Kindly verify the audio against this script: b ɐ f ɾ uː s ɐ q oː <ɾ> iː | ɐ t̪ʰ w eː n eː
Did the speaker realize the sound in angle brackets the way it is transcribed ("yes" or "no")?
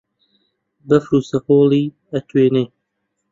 no